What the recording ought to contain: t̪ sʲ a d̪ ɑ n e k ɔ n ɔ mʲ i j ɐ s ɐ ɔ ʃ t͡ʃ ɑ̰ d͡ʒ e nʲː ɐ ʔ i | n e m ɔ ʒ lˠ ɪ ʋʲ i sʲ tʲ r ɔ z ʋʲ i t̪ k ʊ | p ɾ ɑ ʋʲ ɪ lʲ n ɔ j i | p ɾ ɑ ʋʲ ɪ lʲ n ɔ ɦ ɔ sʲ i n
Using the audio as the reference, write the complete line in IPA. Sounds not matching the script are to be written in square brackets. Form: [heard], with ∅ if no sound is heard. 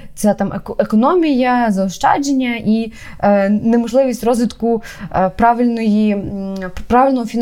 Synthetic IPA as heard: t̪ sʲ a [t̪] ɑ [m] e k ɔ n ɔ mʲ i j ɐ [z] ɐ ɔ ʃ t͡ʃ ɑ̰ d͡ʒ e nʲː ɐ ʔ i | n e m ɔ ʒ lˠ ɪ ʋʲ i sʲ tʲ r ɔ z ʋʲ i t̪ k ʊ | p ɾ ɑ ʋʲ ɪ lʲ n ɔ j i | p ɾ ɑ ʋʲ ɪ lʲ n ɔ ɦ ɔ [fʲ] i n